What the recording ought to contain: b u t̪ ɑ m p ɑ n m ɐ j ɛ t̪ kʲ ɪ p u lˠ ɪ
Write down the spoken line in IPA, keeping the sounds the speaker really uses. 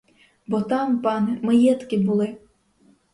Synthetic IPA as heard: b ɔ t̪ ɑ m p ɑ n m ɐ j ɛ t̪ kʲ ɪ b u lˠ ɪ